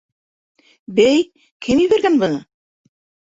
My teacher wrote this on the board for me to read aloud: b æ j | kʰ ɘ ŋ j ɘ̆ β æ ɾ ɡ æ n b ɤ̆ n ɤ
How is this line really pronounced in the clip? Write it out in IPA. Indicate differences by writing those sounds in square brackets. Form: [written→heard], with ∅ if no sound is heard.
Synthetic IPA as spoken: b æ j | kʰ ɘ [ŋ→m] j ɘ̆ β æ ɾ ɡ æ n b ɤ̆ n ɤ